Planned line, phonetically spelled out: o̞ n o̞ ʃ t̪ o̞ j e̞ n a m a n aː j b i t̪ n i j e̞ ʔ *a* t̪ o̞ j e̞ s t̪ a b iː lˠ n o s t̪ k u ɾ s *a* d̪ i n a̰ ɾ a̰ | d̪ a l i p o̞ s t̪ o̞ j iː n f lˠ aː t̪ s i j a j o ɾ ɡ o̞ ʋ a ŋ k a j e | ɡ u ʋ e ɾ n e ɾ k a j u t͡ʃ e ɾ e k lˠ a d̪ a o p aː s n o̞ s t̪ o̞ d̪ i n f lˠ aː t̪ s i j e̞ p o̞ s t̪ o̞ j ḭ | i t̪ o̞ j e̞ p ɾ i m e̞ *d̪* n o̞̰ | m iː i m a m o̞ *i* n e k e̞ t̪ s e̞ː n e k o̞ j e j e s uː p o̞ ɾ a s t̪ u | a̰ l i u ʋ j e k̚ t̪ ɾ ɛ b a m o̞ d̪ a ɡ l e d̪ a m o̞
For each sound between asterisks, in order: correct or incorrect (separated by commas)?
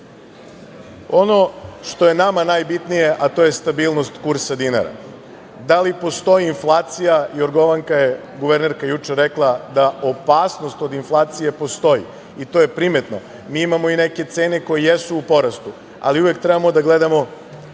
correct, correct, incorrect, correct